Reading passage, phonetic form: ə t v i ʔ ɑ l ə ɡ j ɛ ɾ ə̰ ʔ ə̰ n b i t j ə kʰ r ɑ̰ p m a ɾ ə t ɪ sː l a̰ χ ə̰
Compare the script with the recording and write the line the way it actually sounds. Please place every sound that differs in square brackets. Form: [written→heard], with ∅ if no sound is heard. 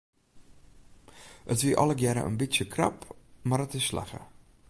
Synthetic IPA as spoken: ə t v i ʔ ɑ l ə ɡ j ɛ ɾ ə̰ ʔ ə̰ n b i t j ə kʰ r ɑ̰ p m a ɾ ə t ɪ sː l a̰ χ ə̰